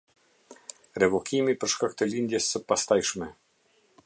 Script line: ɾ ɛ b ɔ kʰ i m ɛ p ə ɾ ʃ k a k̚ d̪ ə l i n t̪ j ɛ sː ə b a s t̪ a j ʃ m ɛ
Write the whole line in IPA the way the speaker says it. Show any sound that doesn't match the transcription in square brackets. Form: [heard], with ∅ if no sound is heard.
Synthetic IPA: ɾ ɛ [v] ɔ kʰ i m [i] p ə ɾ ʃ k a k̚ [t̪] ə l i n [d̪] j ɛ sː ə [p] a s t̪ a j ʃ m ɛ